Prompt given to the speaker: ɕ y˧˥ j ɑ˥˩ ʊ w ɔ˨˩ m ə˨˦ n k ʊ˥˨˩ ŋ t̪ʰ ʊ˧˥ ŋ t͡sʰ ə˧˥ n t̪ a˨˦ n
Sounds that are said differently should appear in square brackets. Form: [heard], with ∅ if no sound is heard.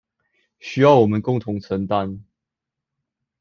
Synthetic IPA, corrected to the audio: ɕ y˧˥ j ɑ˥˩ ʊ w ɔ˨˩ m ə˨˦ n k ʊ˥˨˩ ŋ t̪ʰ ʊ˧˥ ŋ t͡sʰ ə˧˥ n t̪ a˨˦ n